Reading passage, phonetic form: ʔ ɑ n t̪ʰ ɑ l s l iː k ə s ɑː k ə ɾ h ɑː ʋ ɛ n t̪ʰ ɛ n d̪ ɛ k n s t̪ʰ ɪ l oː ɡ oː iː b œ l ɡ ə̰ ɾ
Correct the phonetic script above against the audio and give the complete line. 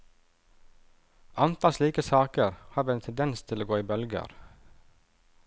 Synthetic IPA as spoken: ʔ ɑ n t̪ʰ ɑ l s l iː k ə s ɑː k ə ɾ h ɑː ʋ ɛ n t̪ʰ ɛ n d̪ ɛ n s t̪ʰ ɪ l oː ɡ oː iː b œ l ɡ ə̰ ɾ